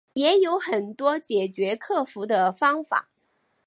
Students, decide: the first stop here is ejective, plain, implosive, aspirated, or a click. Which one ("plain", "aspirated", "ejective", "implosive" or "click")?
plain